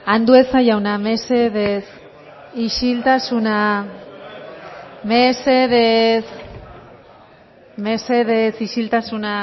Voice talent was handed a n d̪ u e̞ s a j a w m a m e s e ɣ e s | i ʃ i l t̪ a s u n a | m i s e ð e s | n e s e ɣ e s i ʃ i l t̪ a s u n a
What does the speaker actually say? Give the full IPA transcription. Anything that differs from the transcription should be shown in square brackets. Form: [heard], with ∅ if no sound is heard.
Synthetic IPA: a n d̪ u e̞ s a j a w [n] a m e s e [ð] e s | i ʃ i l t̪ a s u n a | m [e] s e ð e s | [m] e s e [ð] e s i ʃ i l t̪ a s u n a